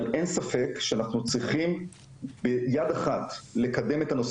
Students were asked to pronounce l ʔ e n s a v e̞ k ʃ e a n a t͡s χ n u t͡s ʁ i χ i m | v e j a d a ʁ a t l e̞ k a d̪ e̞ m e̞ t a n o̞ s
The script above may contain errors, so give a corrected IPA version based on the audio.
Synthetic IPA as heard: l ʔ e n s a f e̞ k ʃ e a n a χ n u t͡s ʁ i χ i m | b e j a d a χ a t l e̞ k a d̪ e̞ m e̞ t a n o̞ s